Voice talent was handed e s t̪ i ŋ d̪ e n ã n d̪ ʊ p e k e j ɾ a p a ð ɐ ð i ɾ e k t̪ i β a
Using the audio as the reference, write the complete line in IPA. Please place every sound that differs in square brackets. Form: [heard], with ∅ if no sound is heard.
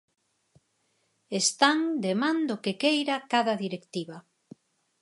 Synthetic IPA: e s t̪ [a] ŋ d̪ e [m] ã n d̪ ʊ [k] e k e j ɾ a [k] a ð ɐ ð i ɾ e k t̪ i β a